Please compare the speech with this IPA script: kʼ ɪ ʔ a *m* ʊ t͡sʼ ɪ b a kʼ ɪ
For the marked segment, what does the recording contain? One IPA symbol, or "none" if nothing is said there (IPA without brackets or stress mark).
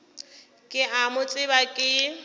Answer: m